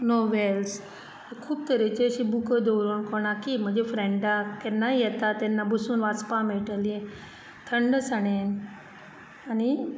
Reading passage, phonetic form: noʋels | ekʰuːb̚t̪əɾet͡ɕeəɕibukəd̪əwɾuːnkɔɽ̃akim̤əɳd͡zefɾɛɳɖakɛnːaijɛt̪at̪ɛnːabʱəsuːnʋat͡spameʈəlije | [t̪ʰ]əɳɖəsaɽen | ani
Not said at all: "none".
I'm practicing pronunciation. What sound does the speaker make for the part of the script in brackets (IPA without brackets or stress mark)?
t̪ʰ